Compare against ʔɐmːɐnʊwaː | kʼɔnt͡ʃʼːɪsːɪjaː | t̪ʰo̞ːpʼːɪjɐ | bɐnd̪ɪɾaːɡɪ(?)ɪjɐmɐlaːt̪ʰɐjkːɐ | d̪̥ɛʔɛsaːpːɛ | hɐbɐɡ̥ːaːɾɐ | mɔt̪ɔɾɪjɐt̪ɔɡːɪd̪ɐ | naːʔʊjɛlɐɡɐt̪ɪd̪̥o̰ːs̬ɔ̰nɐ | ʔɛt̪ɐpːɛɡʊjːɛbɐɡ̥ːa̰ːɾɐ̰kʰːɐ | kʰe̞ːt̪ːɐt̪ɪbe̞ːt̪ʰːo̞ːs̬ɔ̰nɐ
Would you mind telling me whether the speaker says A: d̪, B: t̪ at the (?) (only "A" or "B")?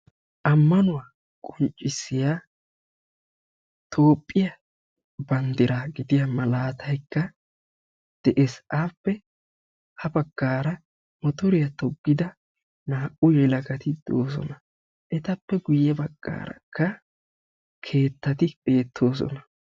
A